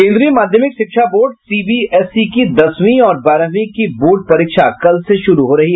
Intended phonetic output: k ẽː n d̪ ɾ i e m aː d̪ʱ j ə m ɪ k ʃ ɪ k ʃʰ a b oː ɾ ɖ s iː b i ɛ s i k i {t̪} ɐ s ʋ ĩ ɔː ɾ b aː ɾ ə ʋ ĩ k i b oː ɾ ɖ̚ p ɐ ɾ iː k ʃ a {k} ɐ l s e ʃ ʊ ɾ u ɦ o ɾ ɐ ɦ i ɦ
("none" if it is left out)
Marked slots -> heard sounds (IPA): d̪, k

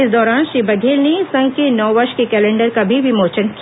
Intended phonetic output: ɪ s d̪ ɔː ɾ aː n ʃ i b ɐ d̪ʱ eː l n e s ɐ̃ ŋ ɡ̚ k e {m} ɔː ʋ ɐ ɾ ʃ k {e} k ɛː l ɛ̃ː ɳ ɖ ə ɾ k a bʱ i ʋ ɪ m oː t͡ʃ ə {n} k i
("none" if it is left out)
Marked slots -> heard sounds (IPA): n, e, n

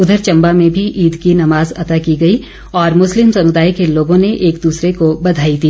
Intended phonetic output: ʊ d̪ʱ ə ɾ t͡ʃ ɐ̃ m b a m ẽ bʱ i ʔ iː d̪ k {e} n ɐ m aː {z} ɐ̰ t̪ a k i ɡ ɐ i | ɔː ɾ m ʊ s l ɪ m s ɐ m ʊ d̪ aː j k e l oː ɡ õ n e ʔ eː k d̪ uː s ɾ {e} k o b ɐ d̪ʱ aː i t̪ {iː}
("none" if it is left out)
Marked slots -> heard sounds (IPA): i, z, e, iː

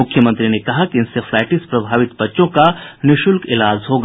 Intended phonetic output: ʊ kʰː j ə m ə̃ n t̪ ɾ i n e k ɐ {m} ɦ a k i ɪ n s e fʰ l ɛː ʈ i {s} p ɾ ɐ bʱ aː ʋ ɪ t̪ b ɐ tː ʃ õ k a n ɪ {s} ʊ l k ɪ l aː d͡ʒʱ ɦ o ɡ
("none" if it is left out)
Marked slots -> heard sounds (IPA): none, s, ʃ

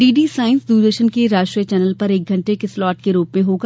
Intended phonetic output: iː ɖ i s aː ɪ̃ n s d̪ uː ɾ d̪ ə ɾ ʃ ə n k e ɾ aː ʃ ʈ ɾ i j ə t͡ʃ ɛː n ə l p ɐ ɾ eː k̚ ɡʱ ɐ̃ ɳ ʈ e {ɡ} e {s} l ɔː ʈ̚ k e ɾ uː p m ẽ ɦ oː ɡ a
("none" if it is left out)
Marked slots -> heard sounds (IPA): k, s

